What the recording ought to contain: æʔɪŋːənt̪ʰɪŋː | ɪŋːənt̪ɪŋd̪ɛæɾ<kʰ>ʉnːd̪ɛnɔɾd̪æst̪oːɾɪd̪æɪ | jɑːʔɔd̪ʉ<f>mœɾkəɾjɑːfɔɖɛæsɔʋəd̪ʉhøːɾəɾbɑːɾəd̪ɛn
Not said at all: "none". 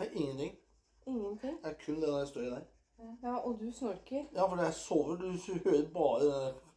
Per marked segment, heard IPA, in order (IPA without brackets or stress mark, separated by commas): kʰ, s